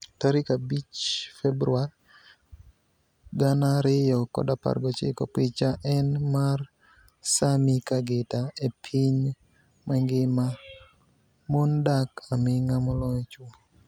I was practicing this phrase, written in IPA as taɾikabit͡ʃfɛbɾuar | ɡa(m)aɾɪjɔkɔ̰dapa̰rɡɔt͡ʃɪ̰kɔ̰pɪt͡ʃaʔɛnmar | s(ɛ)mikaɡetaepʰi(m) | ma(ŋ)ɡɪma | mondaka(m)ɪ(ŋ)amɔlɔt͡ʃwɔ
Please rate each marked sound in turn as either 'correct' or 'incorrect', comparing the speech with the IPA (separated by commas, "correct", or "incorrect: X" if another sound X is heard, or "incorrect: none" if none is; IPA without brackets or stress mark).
incorrect: n, incorrect: a, incorrect: ɲ, correct, correct, correct